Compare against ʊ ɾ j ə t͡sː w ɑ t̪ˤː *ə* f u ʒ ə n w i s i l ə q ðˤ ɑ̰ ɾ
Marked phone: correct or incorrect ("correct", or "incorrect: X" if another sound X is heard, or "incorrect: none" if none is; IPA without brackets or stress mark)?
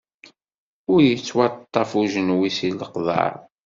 incorrect: ɑ